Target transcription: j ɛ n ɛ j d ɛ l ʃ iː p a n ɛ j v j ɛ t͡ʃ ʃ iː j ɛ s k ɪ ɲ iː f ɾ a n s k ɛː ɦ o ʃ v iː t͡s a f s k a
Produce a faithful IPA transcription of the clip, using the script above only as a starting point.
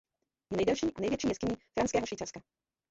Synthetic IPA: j ɛ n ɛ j d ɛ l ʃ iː ʔ a n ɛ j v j ɛ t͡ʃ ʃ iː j ɛ s k ɪ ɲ iː f ɾ a n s k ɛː ɦ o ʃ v iː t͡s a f s k a